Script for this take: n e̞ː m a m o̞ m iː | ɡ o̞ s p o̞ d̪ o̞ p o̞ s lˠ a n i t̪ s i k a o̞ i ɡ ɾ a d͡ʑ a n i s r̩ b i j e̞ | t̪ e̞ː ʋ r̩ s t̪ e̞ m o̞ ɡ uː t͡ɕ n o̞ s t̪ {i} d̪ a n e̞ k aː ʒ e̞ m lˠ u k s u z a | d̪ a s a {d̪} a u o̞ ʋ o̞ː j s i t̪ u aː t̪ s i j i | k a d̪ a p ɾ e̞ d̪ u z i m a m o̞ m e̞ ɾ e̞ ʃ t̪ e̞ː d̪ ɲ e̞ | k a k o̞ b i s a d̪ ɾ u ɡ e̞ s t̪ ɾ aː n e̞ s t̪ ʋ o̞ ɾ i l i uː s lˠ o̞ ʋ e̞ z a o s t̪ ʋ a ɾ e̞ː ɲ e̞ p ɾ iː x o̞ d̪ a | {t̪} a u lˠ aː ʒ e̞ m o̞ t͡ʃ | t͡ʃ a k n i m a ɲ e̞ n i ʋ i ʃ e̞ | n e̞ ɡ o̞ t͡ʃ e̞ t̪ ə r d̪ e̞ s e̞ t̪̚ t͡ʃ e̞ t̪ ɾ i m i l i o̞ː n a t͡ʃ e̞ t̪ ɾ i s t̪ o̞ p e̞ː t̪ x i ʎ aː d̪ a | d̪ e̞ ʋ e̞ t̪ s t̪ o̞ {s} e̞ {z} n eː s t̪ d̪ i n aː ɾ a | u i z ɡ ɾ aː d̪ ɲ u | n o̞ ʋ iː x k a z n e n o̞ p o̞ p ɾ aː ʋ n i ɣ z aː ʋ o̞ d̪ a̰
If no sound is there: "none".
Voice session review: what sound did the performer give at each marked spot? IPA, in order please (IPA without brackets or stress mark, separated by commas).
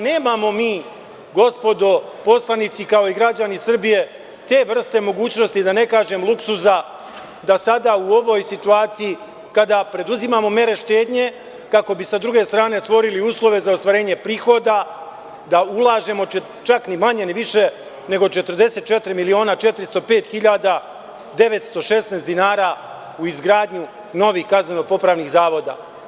i, d̪, d̪, ʃ, s